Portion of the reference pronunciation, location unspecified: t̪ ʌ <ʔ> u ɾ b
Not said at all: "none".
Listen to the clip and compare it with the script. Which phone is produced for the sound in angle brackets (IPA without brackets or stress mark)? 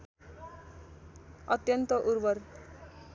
ʔ